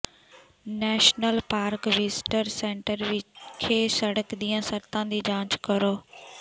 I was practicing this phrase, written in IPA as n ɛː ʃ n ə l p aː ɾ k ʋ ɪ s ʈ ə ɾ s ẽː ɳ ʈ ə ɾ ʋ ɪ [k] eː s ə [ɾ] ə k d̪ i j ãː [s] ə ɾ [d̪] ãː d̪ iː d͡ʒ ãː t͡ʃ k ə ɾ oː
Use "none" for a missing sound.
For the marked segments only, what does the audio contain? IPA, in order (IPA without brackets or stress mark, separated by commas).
kʰ, ɽ, s, t̪